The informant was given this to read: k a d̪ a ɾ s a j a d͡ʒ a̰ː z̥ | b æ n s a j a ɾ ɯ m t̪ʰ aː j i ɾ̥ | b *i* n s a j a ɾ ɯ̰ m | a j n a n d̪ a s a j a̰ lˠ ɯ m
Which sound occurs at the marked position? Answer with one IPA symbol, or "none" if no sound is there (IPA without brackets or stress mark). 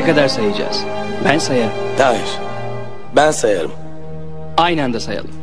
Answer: æ